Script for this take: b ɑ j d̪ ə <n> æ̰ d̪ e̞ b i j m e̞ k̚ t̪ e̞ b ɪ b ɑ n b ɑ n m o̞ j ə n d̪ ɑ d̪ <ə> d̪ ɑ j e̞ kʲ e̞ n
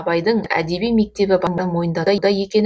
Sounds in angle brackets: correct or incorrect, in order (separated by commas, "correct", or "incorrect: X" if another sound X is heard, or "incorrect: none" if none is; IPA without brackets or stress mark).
incorrect: ɴ, incorrect: ɑ